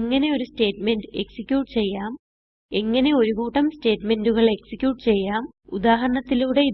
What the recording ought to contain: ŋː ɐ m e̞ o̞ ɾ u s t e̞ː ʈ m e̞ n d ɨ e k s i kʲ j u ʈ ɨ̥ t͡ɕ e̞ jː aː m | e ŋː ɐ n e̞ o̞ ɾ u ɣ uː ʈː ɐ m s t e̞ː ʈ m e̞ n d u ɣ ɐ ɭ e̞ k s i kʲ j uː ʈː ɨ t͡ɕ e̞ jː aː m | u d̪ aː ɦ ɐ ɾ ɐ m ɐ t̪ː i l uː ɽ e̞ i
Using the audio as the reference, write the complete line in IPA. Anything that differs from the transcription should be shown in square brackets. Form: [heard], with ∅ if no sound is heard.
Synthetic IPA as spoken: ŋː ɐ [n] e̞ o̞ ɾ u s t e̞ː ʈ m e̞ n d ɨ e k s i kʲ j [uː] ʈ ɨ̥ t͡ɕ e̞ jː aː m | e ŋː ɐ n e̞ o̞ ɾ u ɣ uː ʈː ɐ m s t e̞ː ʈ m e̞ n d u ɣ ɐ ɭ e̞ k s i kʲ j uː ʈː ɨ t͡ɕ e̞ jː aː m | u d̪ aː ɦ ɐ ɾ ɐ [ɳ] ɐ t̪ː i l uː ɽ e̞ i